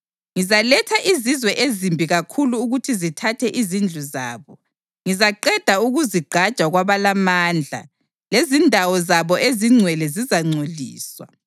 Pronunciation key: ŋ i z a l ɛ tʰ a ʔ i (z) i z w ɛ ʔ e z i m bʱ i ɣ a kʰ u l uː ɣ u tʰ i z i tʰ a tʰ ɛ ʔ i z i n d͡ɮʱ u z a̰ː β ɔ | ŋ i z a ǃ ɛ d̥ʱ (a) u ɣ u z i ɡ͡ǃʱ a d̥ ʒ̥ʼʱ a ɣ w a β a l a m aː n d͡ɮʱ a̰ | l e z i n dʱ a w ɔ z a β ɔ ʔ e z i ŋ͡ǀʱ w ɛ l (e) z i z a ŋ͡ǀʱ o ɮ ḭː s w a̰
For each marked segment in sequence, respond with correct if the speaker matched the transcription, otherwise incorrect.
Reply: correct, correct, incorrect: ɛ

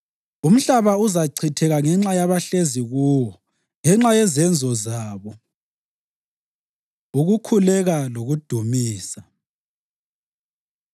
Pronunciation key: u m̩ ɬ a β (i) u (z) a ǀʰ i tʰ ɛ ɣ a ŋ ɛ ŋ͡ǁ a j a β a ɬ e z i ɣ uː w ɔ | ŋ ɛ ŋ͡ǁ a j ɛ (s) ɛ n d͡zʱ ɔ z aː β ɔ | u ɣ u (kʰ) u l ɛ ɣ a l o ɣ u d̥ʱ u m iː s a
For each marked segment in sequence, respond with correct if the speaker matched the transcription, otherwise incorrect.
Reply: incorrect: a, correct, incorrect: z, correct

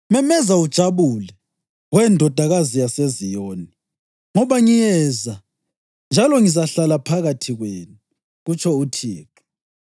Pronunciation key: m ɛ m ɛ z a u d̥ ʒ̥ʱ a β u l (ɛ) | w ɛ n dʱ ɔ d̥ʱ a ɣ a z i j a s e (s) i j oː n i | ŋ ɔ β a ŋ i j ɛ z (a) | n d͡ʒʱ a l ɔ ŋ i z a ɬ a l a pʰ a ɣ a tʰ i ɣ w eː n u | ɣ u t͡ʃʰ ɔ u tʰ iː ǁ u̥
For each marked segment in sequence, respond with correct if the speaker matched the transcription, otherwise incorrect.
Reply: correct, incorrect: z, correct

